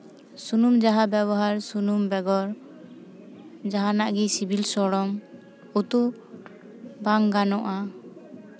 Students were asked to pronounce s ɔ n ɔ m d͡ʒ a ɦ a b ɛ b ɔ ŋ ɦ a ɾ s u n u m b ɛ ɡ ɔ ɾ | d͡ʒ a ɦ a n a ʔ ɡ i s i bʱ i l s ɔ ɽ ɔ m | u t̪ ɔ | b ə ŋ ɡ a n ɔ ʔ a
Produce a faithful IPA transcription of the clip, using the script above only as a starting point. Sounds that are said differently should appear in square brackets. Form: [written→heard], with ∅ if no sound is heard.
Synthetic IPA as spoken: s [ɔ→u] n [ɔ→u] m d͡ʒ a ɦ a b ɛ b ɔ [ŋ→∅] ɦ a ɾ s u n u m b ɛ ɡ ɔ ɾ | d͡ʒ a ɦ a n a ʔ ɡ i s i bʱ i l s ɔ ɽ ɔ m | u t̪ [ɔ→u] | b [ə→a] ŋ ɡ a n ɔ ʔ a